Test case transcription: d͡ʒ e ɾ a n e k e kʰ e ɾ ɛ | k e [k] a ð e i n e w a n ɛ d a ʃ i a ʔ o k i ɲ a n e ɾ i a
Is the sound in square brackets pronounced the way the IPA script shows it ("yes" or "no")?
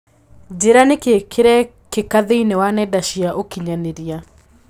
yes